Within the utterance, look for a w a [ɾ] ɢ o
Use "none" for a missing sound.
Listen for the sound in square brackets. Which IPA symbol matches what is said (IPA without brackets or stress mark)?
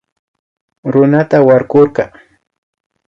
ɾ